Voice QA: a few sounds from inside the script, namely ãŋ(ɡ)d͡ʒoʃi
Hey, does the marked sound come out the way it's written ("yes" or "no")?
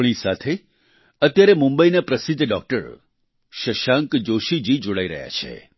no